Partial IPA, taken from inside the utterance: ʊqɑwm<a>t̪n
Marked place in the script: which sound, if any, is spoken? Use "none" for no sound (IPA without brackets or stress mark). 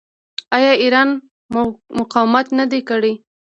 a